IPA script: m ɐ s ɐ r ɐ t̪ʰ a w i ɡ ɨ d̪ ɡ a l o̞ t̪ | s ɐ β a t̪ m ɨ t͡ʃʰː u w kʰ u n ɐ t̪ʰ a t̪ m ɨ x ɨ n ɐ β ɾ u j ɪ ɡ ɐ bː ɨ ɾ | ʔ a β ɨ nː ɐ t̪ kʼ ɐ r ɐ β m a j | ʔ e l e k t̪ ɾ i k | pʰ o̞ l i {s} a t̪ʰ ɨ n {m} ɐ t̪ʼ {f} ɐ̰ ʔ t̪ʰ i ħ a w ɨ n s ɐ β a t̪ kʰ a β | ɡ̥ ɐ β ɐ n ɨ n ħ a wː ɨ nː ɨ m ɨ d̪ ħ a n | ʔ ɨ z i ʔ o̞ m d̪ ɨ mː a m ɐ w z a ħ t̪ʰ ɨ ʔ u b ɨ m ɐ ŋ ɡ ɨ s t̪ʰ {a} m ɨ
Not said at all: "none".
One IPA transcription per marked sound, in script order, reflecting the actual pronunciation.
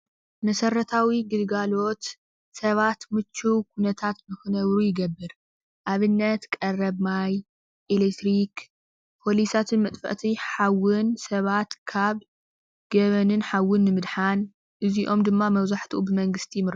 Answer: s, m, f, i

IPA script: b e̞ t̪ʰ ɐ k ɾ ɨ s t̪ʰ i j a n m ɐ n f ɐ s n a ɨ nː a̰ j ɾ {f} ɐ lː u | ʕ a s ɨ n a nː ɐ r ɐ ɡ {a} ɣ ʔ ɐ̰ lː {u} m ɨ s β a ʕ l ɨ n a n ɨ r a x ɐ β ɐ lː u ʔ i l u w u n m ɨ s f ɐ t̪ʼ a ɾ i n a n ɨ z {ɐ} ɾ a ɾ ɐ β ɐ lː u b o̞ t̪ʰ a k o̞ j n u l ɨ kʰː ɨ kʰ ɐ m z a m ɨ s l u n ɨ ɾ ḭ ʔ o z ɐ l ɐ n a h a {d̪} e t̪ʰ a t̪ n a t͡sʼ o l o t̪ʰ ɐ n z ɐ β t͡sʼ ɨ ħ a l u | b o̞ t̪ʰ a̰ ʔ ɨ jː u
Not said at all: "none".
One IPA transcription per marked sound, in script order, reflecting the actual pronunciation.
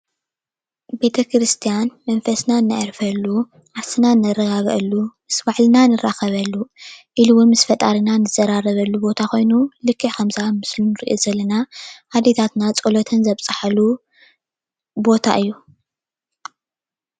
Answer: f, a, u, ɐ, d̪

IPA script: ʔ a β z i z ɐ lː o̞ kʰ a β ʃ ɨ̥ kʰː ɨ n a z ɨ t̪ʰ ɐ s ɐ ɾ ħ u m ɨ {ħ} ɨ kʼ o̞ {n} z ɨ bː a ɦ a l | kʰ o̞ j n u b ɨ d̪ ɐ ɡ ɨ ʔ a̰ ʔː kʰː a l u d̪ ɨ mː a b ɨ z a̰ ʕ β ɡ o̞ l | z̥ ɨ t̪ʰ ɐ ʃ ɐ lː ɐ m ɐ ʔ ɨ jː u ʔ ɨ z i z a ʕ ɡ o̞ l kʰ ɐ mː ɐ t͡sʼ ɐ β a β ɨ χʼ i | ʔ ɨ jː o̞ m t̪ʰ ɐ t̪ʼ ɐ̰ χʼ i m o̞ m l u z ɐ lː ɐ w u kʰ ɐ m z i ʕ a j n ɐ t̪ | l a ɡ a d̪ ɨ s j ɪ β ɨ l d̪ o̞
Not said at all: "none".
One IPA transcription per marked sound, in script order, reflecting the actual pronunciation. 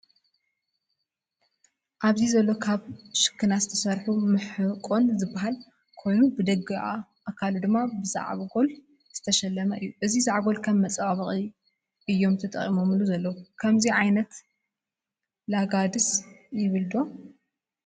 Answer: ħ, n

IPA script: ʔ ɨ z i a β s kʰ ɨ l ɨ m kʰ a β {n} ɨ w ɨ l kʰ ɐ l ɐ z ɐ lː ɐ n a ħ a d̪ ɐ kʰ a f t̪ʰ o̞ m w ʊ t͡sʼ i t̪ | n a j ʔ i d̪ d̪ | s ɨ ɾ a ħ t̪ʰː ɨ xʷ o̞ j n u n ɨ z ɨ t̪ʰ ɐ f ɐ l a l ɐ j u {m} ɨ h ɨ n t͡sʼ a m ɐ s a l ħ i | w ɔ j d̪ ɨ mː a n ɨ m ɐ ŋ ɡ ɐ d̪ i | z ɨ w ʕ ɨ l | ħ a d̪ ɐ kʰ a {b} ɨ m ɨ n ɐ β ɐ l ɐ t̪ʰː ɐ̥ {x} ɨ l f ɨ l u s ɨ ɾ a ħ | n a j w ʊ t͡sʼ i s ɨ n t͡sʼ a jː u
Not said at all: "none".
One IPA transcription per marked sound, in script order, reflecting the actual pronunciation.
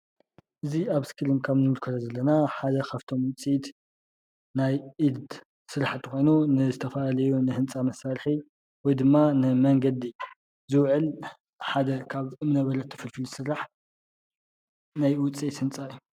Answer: n, n, β, f

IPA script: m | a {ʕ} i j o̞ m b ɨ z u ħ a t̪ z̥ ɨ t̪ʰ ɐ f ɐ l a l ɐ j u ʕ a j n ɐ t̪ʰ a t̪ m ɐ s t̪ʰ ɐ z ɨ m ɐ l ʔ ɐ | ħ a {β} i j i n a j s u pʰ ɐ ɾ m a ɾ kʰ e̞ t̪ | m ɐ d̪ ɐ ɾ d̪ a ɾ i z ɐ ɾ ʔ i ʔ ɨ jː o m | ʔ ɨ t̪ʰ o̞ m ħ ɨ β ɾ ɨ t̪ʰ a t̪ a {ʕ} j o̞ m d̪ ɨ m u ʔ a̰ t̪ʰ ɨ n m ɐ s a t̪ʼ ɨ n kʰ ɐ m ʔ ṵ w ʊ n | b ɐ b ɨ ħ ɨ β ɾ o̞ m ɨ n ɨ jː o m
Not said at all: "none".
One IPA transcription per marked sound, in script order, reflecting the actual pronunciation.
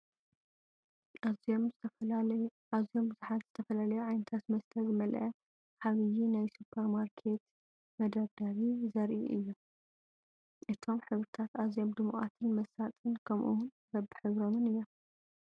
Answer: z, β, z

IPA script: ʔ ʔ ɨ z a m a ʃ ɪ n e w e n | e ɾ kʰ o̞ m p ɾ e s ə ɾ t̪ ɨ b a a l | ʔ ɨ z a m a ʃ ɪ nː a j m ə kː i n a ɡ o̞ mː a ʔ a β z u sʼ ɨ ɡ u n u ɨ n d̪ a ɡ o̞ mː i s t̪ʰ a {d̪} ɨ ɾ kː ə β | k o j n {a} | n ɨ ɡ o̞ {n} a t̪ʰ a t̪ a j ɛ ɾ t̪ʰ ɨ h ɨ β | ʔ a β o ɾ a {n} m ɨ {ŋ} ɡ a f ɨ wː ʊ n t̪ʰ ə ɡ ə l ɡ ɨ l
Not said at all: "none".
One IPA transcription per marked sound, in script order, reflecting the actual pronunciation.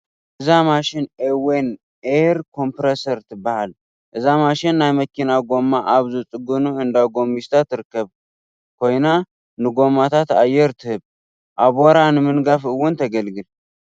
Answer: t̪, a, m, n, n

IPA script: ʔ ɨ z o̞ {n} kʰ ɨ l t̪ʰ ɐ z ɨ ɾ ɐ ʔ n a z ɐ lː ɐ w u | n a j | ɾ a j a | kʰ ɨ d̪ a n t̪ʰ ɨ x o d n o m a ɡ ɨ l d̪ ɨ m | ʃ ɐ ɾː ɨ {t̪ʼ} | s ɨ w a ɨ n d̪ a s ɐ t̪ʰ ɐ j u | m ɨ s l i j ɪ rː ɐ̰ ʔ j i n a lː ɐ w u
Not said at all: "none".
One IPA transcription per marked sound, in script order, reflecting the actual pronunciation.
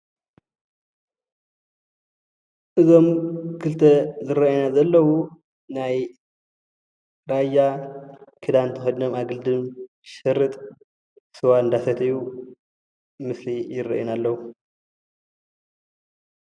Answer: m, t̪ʼ

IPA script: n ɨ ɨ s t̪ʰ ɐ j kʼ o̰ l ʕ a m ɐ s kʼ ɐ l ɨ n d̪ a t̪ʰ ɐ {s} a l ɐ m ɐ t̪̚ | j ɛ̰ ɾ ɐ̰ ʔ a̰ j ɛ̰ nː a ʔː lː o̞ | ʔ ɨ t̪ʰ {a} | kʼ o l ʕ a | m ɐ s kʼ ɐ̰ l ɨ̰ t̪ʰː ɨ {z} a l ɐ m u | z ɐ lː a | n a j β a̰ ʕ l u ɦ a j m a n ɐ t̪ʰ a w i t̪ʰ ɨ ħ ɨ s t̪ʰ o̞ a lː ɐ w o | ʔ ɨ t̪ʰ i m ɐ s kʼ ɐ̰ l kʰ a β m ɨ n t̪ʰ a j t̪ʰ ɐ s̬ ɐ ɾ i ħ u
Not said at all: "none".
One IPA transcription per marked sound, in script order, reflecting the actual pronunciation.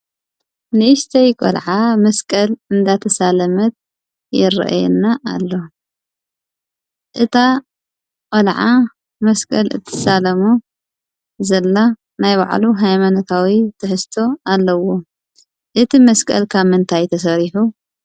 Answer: s, a, s

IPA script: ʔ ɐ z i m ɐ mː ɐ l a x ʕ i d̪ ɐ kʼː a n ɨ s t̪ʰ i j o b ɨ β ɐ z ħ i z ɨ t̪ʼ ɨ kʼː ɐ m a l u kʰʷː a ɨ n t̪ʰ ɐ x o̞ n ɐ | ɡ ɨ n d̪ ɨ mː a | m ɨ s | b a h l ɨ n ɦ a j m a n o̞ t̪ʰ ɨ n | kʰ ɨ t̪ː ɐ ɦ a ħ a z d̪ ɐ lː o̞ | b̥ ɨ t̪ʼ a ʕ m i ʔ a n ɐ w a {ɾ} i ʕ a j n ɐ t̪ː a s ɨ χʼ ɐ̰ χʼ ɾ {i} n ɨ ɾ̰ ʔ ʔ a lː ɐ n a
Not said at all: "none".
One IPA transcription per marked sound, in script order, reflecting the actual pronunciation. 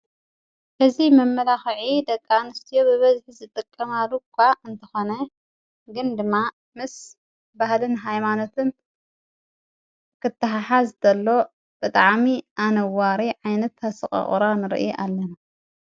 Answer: ɾ, a

